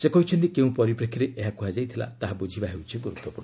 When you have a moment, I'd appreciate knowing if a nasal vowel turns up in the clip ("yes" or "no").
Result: yes